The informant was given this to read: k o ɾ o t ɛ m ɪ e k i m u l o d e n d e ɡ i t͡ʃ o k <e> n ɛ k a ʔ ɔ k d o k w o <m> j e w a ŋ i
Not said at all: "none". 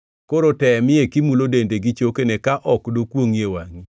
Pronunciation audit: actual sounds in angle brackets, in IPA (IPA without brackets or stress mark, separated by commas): e, ŋ